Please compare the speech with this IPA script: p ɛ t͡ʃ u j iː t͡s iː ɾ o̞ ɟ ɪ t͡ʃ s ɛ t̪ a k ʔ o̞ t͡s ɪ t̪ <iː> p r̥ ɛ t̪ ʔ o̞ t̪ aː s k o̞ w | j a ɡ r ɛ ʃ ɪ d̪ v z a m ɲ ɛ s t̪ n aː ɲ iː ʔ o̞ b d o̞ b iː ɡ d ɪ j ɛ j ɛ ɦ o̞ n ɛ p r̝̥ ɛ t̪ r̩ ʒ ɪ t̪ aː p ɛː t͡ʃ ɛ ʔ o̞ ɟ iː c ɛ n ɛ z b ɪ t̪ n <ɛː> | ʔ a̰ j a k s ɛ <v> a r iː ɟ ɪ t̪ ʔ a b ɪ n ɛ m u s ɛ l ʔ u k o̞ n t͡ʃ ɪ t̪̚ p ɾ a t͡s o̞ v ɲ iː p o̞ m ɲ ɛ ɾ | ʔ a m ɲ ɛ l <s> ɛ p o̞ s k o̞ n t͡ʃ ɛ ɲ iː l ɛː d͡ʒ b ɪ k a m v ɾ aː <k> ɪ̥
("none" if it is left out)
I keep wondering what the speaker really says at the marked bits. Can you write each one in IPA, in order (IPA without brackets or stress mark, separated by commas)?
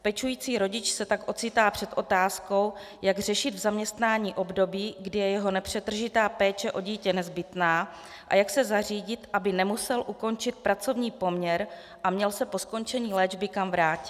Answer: aː, aː, z, s, c